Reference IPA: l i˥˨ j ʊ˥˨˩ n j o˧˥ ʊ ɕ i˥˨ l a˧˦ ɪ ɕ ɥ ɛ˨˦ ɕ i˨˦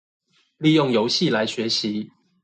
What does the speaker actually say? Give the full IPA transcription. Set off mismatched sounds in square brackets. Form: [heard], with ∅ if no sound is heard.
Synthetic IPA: l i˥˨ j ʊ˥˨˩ [ŋ] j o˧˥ ʊ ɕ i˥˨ l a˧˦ ɪ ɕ ɥ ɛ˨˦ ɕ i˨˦